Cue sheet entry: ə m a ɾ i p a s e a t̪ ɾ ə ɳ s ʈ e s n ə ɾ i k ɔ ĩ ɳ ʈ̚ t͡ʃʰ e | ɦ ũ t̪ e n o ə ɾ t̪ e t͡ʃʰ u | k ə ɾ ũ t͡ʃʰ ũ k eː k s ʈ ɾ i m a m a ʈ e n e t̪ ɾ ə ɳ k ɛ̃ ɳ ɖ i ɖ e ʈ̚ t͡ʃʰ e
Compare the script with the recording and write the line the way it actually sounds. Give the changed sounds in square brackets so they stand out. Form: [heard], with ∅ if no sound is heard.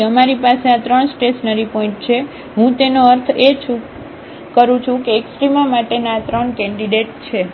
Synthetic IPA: ə m a ɾ i p a s e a t̪ ɾ ə ɳ s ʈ e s n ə ɾ i [p] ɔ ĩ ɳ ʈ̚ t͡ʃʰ e | ɦ ũ t̪ e n o ə ɾ [t̪ʰ] e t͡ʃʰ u | k ə ɾ ũ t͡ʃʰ ũ k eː k s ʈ ɾ i m a m a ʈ e n [a] t̪ ɾ ə ɳ k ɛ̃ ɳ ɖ i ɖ e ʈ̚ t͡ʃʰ e